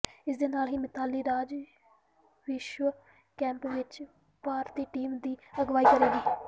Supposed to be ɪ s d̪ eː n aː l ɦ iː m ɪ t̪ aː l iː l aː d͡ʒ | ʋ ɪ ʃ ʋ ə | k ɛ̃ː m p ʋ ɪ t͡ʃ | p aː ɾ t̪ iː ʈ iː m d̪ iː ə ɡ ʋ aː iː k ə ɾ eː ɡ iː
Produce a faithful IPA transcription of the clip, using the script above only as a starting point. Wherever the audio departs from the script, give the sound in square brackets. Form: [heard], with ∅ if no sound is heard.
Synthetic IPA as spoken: ɪ s d̪ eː n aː l ɦ iː m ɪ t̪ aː l iː [ɾ] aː d͡ʒ | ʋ ɪ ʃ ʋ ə | k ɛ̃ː m p ʋ ɪ t͡ʃ | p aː ɾ t̪ iː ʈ iː m d̪ iː ə ɡ ʋ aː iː k ə ɾ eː ɡ iː